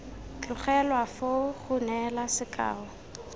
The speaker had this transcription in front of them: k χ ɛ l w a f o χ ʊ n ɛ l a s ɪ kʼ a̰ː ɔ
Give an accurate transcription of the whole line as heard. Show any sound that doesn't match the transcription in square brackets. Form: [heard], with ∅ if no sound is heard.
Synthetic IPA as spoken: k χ ɛ l w a f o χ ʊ n ɛ l a s ɪ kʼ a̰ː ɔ